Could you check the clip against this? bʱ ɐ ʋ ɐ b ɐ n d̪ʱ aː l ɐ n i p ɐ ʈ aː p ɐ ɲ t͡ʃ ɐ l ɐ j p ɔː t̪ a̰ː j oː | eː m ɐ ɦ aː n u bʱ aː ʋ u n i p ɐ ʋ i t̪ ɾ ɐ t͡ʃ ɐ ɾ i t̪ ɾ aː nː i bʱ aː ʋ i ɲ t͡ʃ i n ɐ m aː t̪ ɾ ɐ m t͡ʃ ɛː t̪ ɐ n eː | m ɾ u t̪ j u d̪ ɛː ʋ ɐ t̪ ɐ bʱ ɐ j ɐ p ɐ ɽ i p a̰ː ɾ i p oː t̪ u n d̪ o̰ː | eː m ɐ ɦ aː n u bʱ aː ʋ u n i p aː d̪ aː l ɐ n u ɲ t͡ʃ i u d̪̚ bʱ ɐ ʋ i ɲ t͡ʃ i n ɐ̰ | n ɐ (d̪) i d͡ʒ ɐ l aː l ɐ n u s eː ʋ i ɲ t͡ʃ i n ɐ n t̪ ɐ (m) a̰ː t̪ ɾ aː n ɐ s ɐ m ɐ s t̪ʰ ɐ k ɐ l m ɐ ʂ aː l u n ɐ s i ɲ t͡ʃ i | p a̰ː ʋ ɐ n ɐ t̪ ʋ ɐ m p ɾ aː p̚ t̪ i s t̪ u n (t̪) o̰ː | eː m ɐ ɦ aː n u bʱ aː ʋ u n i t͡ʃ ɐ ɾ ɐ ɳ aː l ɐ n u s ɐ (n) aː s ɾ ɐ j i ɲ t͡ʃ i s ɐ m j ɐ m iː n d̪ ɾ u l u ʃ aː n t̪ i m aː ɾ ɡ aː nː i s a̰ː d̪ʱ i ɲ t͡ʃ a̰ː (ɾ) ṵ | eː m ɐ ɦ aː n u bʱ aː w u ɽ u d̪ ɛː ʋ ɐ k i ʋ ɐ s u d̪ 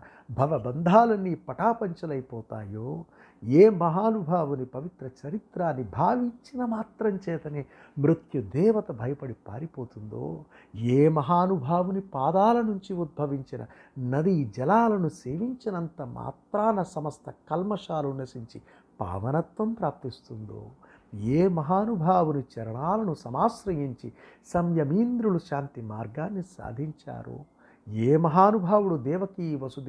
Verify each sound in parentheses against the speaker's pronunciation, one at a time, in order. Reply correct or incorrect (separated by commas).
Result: correct, correct, incorrect, incorrect, correct